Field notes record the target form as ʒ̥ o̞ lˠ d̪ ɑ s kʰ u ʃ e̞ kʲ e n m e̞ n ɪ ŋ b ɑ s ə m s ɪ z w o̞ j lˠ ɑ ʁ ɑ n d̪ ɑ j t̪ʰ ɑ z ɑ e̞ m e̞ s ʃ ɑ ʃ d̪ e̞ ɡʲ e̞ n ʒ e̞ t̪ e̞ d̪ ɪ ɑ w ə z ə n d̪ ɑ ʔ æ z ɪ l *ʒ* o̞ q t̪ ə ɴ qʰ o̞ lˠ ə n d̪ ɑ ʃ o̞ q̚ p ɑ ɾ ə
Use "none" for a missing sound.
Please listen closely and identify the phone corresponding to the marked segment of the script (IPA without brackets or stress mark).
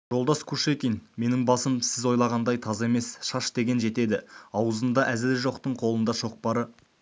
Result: ʒ